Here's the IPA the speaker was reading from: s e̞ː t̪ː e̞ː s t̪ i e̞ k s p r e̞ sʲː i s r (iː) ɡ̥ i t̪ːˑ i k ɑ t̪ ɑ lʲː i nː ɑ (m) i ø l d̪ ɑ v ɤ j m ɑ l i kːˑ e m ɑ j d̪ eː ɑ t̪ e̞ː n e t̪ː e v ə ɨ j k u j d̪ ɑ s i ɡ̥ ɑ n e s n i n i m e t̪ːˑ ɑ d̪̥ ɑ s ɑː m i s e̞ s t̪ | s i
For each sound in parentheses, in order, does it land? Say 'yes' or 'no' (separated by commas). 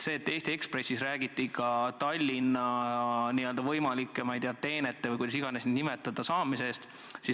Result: no, no